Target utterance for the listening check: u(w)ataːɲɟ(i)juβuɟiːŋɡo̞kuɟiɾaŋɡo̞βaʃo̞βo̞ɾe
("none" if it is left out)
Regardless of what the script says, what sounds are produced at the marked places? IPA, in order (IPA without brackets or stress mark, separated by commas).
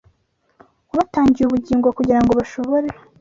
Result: β, i